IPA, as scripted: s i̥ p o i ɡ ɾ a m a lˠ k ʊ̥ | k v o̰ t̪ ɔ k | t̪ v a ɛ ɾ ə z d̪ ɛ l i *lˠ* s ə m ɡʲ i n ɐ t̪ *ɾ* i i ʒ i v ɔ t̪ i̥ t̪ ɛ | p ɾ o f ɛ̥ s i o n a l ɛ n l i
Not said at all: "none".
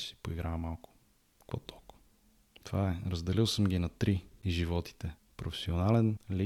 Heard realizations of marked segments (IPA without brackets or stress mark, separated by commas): lˠ, ɾ